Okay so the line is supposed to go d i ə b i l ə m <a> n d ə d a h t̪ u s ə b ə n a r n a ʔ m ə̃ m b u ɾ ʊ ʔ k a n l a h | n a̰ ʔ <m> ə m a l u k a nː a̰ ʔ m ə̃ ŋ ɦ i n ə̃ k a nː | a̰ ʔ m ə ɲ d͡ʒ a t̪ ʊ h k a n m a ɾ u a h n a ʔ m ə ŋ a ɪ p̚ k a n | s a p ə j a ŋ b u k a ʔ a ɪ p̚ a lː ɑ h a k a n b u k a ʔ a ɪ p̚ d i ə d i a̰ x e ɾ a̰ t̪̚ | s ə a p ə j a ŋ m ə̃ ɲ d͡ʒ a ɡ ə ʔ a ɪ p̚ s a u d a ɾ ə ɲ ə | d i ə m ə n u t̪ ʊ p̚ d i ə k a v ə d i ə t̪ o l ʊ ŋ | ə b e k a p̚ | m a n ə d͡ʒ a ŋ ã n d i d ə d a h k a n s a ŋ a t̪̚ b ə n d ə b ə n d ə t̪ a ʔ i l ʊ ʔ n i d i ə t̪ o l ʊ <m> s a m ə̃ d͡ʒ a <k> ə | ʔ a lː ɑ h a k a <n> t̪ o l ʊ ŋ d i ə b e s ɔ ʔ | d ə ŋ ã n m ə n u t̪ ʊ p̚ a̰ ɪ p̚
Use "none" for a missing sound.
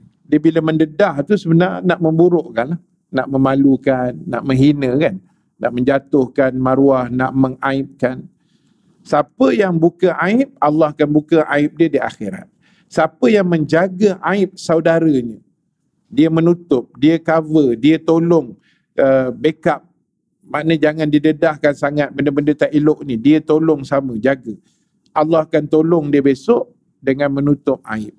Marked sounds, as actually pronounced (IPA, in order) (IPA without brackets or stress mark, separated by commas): ə, m, ŋ, ɡ, n